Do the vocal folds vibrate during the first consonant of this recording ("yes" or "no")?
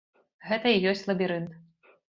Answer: yes